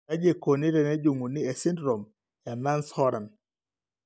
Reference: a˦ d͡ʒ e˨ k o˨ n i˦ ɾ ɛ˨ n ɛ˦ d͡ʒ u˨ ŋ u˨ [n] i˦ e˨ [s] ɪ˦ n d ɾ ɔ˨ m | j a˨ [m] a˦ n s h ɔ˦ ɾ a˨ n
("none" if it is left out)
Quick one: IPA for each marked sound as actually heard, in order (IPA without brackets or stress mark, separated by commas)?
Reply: n, s, m